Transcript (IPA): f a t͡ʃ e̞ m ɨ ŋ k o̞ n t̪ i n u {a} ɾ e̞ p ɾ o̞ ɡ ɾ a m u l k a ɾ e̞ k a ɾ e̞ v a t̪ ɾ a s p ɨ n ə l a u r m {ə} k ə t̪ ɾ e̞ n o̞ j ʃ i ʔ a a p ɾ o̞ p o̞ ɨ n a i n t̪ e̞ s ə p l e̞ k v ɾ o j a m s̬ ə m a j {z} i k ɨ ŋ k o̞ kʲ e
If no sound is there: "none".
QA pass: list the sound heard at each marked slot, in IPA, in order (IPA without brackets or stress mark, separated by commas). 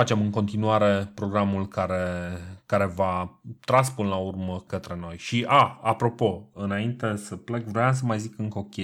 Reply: a, ə, z